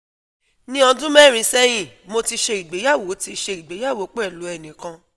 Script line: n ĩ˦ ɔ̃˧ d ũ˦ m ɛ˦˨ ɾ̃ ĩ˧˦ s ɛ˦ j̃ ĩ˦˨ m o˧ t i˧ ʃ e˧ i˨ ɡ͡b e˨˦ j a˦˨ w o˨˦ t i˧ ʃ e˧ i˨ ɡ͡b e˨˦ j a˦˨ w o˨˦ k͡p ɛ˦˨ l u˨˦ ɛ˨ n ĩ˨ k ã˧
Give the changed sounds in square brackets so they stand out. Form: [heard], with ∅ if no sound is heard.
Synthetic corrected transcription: n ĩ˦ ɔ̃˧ d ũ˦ m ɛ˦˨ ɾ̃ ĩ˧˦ s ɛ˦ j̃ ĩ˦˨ m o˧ t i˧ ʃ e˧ i˨ ɡ͡b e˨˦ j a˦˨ w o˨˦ t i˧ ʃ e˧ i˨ ɡ͡b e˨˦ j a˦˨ w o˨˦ k͡p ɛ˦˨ l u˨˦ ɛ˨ n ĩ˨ k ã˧

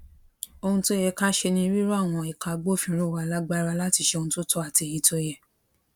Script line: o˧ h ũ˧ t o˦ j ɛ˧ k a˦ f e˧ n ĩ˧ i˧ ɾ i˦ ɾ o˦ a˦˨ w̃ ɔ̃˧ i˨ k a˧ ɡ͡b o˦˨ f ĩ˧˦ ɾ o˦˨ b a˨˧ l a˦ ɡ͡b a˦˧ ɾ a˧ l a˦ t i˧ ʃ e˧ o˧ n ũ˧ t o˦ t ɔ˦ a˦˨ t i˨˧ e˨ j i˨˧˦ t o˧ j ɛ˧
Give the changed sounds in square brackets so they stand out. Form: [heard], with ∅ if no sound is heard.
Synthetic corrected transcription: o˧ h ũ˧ t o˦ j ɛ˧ k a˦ [ʃ] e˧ n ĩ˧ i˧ ɾ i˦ ɾ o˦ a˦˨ w̃ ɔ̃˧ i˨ k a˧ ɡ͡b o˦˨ f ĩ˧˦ ɾ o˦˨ [w] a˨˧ l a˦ ɡ͡b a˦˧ ɾ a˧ l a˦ t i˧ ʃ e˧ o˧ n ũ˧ t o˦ t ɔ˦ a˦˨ t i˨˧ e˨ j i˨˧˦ t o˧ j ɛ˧

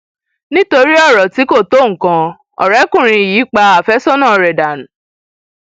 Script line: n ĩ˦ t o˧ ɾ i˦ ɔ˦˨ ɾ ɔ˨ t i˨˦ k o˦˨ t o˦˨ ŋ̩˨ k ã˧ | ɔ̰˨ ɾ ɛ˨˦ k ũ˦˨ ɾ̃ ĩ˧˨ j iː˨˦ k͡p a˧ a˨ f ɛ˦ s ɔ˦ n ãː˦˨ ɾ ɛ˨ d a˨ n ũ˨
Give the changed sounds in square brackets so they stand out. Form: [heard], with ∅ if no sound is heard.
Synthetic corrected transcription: n ĩ˦ t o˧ ɾ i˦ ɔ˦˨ ɾ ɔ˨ t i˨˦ k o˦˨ t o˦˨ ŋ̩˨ k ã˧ | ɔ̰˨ ɾ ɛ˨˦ k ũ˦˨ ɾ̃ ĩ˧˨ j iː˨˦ k͡p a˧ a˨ f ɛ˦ s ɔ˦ n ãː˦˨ ɾ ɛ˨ d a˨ n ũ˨

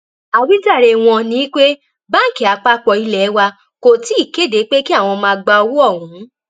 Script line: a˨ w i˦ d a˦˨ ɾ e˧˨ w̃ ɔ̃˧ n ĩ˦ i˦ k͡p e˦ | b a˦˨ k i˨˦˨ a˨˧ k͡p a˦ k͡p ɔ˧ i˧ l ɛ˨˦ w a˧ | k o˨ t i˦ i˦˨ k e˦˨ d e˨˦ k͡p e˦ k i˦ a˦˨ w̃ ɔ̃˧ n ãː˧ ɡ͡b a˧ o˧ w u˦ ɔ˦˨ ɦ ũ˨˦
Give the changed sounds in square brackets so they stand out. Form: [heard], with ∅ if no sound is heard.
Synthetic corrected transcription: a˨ w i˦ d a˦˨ ɾ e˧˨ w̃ ɔ̃˧ n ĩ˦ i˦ k͡p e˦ | b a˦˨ k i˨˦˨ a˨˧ k͡p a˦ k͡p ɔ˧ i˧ l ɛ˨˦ w a˧ | k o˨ t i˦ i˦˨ k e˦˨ d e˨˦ k͡p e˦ k i˦ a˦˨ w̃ ɔ̃˧ [m] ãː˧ ɡ͡b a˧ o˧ w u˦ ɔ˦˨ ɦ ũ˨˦

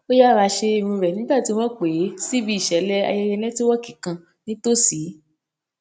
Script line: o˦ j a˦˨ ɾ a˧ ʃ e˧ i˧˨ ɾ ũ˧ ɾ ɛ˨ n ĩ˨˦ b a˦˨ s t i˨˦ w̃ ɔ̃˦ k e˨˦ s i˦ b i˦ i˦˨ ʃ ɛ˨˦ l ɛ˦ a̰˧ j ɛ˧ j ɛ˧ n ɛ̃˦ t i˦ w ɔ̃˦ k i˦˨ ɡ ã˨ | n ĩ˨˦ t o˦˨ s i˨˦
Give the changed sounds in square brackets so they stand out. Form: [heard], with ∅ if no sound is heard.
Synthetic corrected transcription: o˦ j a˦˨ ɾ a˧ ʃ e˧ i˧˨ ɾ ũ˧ ɾ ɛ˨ n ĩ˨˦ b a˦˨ [∅] t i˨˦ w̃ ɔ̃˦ [k͡p] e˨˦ s i˦ b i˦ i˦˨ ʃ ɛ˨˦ l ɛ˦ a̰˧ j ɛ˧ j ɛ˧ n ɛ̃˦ t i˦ w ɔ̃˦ k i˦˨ [k] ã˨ | n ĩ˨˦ t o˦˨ s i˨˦

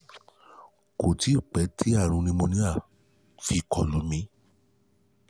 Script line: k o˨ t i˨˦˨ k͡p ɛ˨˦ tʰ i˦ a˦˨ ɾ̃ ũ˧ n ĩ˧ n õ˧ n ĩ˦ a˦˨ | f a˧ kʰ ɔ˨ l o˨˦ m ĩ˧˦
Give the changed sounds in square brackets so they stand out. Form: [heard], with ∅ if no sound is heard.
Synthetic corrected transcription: k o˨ t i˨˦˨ k͡p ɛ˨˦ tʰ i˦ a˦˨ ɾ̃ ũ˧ n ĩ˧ [m] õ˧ n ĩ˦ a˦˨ | f [i˧] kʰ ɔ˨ l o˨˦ m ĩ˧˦

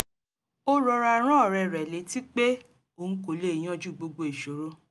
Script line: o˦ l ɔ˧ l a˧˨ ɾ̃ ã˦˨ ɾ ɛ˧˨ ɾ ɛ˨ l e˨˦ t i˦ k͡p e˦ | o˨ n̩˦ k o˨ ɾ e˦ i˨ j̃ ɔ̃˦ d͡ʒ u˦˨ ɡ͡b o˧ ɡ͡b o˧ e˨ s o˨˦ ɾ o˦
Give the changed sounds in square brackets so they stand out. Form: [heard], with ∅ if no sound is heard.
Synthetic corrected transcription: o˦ [ɾ] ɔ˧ [ɾ] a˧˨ ɾ̃ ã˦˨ ɾ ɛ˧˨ ɾ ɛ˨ l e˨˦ t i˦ k͡p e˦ | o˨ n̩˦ k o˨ [l] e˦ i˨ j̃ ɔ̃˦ d͡ʒ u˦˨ ɡ͡b o˧ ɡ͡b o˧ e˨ [ʃ] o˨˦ ɾ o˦

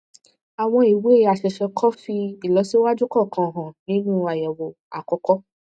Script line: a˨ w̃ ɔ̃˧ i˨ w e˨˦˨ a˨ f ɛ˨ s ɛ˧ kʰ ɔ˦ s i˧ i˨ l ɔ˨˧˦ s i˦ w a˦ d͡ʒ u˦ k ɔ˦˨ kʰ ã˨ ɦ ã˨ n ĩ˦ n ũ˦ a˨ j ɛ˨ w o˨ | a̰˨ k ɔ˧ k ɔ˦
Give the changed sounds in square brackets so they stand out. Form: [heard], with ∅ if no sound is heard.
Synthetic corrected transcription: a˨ w̃ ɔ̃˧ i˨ w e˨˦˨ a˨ [ʃ] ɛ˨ [ʃ] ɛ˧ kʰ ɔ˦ [f] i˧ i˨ l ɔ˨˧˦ s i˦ w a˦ d͡ʒ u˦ k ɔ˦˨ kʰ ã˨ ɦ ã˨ n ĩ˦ n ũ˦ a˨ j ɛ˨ w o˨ | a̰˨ k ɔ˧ k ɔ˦

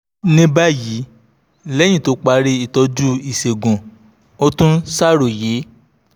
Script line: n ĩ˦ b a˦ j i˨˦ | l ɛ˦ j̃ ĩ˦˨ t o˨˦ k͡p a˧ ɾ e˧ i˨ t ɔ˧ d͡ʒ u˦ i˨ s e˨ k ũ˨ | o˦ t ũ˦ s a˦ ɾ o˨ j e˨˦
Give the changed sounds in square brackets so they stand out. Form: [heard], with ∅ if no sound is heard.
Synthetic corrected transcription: n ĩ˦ b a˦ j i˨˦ | l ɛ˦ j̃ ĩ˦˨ t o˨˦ k͡p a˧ ɾ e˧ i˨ t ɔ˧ d͡ʒ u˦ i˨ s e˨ [ɡ] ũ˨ | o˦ t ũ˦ s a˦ ɾ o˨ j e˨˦

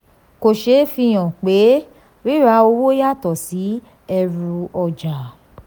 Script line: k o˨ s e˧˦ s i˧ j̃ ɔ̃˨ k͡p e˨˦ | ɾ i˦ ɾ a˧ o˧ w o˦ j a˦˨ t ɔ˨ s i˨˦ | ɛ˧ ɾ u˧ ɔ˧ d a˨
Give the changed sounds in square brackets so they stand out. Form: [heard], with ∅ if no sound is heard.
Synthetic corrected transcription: k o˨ [ʃ] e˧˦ [f] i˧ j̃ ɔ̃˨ k͡p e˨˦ | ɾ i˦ ɾ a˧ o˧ w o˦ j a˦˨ t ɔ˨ s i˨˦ | ɛ˧ ɾ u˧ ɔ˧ [d͡ʒ] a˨

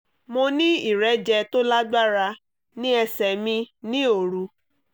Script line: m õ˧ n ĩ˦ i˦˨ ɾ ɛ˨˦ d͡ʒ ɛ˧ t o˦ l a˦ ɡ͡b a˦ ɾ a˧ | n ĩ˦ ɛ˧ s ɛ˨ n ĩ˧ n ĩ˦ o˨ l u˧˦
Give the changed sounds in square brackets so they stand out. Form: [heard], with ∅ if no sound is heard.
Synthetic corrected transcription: m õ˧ n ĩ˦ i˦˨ ɾ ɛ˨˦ d͡ʒ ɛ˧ t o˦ l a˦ ɡ͡b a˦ ɾ a˧ | n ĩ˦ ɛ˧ s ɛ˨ [m] ĩ˧ n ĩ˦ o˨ [ɾ] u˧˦

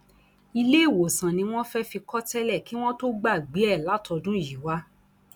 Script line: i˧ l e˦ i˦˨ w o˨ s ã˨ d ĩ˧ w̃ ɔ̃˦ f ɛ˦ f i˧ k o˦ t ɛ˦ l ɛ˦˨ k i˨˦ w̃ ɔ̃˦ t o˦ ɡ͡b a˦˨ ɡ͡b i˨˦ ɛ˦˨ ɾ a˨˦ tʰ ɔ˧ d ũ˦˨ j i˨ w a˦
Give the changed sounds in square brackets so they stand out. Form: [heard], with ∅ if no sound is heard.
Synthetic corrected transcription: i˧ l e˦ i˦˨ w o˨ s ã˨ [n] ĩ˧ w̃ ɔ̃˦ f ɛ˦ f i˧ k [ɔ˦] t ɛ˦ l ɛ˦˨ k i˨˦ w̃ ɔ̃˦ t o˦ ɡ͡b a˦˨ ɡ͡b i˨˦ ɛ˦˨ [l] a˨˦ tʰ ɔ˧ d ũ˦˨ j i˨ w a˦

